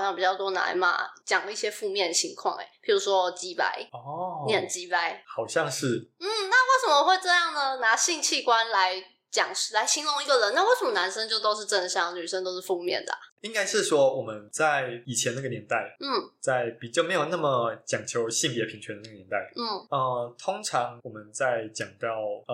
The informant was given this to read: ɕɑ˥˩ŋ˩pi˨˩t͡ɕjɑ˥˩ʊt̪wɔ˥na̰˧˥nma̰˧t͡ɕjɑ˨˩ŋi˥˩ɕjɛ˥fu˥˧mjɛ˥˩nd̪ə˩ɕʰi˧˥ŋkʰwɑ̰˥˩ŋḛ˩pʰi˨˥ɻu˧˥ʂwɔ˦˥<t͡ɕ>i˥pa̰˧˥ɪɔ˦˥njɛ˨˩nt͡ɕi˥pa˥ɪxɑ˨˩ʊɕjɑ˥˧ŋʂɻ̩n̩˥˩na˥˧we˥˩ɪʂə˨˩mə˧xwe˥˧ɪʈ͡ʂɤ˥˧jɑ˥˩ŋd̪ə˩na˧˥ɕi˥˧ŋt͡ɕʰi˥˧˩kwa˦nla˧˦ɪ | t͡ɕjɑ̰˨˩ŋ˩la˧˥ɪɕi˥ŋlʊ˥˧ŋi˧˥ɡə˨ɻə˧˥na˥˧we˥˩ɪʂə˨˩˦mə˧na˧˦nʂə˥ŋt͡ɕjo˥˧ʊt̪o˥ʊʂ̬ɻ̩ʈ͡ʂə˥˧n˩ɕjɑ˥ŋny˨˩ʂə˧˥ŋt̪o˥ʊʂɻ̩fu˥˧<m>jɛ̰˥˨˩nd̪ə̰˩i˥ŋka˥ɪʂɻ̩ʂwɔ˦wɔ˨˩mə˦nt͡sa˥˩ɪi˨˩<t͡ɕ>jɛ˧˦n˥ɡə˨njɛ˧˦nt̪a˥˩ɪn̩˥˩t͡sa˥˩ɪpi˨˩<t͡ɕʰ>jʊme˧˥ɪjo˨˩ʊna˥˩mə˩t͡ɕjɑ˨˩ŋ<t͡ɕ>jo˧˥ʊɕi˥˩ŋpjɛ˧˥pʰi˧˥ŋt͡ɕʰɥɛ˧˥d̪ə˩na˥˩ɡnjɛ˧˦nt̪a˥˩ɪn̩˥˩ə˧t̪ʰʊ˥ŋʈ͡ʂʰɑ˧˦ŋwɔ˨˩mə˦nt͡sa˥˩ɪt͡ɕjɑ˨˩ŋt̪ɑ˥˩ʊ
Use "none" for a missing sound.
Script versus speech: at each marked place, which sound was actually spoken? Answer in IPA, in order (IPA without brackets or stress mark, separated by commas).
t͡ɕ, m, t͡ɕʰ, t͡ɕ, t͡ɕʰ